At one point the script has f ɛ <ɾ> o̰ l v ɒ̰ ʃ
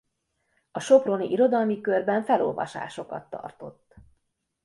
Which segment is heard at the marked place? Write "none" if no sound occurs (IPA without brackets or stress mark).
l